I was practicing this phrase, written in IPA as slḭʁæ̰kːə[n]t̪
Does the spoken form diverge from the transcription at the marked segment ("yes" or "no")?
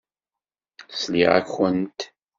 no